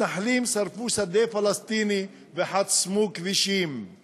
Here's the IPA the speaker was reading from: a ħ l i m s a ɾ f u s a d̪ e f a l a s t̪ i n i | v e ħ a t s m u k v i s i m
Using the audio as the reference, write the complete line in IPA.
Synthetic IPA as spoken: a ħ l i m s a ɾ f u s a d̪ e f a l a s t̪ i n i | v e ħ a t s m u k v i ʃ i m